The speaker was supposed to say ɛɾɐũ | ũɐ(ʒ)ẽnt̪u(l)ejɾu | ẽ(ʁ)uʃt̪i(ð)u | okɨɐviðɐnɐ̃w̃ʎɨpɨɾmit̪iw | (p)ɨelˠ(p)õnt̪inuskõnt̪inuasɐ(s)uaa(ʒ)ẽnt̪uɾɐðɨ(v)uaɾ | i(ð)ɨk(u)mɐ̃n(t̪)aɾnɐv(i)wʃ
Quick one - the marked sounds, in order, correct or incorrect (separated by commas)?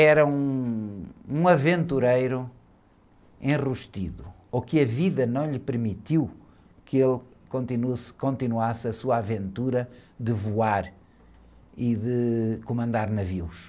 incorrect, incorrect, correct, correct, incorrect, incorrect, correct, incorrect, correct, correct, correct, incorrect, correct